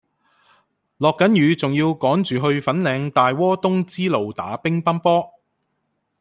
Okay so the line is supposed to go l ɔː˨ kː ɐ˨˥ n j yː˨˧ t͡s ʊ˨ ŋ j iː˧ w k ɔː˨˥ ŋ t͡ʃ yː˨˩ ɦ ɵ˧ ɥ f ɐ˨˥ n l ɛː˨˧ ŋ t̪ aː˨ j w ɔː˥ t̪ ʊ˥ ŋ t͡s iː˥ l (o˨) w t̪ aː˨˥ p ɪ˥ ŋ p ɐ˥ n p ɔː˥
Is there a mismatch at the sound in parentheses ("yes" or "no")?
no